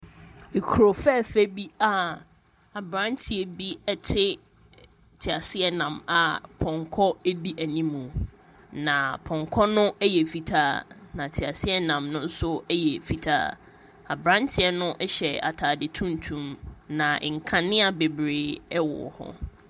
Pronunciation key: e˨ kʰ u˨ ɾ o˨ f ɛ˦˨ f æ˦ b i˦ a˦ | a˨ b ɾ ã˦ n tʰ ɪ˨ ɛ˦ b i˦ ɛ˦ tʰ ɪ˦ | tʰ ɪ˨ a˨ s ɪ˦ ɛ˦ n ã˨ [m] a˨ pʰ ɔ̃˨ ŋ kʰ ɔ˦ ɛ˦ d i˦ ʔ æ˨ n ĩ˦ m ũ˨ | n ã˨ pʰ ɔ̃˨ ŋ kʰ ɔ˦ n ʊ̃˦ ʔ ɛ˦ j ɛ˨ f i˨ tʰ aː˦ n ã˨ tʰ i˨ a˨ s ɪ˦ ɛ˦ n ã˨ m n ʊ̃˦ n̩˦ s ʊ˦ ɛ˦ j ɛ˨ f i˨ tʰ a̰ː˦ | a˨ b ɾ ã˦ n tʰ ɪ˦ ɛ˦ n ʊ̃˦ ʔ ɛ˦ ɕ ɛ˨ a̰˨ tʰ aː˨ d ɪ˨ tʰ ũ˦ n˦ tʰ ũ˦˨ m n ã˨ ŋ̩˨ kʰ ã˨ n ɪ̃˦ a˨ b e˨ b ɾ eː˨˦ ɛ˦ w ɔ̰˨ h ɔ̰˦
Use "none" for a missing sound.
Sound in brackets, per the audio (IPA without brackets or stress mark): m